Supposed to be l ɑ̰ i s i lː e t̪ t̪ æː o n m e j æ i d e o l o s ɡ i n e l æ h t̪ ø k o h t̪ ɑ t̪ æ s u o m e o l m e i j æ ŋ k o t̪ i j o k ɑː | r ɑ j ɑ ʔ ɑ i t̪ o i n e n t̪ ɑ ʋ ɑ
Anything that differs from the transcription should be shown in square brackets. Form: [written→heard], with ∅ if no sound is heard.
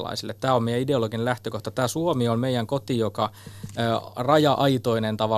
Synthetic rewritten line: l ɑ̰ i s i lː e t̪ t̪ æː o [n→m] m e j æ i d e o l o [s→∅] ɡ i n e l æ h t̪ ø k o h t̪ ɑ t̪ [æ→æː] s u o m [e→i] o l m e i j æ ŋ k o t̪ i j o k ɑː | r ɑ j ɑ ʔ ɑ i t̪ o i n e n t̪ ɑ ʋ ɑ